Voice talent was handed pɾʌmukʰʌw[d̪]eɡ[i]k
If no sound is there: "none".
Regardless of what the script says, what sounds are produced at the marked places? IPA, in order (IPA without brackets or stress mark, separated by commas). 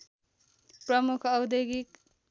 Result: d̪, i